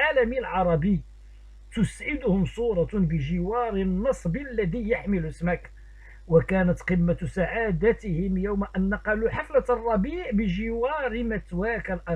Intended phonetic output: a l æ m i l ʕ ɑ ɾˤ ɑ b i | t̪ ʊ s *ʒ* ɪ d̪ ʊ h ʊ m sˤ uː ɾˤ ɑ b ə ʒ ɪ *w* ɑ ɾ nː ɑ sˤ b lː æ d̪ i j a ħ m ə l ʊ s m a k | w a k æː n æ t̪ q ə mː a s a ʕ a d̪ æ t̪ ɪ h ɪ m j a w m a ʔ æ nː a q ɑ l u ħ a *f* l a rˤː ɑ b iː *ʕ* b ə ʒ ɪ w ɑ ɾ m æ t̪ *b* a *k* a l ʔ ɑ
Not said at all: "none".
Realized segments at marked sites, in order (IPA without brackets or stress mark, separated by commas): ʕ, w, f, ʕ, w, k